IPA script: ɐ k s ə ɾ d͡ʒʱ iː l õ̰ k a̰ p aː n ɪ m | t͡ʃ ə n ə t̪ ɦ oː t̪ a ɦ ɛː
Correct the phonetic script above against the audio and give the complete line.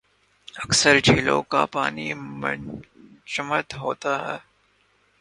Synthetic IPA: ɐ k s ə ɾ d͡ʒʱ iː l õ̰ k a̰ p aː n i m | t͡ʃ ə m ə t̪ ɦ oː t̪ a ɦ ɛː